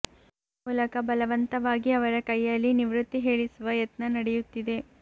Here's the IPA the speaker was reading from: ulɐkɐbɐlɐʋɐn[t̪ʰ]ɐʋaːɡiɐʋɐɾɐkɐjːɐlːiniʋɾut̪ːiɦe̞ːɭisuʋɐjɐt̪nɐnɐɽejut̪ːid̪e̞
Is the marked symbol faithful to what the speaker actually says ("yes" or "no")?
no